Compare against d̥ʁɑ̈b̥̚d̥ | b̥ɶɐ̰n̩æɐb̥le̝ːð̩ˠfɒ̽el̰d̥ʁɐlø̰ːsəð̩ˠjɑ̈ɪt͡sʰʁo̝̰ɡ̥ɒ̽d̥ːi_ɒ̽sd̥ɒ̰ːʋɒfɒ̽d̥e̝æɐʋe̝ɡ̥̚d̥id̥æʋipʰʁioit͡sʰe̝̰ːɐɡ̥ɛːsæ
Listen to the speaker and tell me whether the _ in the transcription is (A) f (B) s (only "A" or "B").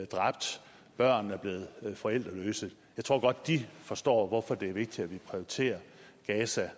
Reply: A